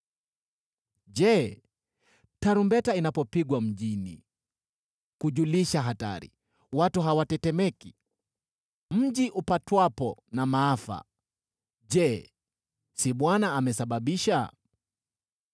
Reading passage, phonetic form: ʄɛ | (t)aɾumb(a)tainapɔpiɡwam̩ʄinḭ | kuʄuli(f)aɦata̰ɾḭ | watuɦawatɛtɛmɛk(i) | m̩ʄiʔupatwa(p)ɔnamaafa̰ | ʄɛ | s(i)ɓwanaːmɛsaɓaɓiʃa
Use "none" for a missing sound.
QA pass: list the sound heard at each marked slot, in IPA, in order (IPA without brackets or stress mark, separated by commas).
t, ɛ, ʃ, i, p, i